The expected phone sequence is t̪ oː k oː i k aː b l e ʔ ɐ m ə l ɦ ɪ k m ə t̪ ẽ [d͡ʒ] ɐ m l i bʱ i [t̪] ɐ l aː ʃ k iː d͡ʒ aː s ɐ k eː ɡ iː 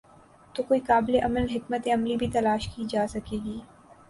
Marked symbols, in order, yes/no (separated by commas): no, yes